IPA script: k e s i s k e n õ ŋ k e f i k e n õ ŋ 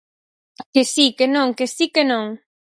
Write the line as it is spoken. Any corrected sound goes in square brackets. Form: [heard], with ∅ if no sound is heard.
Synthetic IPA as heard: k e s i [∅] k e n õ ŋ k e [s] i k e n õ ŋ